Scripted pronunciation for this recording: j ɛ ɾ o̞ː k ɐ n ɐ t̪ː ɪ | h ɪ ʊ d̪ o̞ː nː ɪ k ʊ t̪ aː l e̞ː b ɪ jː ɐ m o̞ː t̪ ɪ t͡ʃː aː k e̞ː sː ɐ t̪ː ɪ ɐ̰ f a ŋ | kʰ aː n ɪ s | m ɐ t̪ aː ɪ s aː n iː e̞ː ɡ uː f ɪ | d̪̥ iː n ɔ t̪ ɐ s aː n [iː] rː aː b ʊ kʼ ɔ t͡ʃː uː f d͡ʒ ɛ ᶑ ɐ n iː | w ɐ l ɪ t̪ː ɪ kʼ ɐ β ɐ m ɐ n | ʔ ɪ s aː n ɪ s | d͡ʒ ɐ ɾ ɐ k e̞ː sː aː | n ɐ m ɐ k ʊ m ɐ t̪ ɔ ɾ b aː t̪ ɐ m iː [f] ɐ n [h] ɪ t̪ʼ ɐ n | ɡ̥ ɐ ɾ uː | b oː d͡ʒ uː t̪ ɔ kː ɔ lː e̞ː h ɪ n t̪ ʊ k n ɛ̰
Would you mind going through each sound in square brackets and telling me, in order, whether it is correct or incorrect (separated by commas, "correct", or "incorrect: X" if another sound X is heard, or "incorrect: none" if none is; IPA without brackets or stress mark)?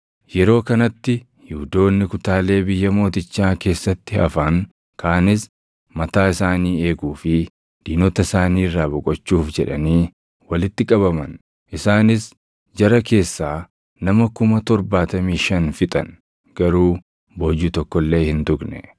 correct, incorrect: ʃ, incorrect: f